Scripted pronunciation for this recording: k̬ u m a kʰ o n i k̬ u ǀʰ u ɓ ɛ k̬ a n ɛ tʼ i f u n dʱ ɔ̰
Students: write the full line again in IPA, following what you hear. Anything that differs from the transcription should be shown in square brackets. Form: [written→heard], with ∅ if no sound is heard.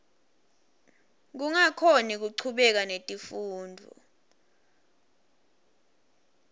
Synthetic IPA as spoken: k̬ u [m→ŋ] a kʰ o n i k̬ u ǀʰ u ɓ ɛ k̬ a n [ɛ→e] tʼ i f [u→uː] n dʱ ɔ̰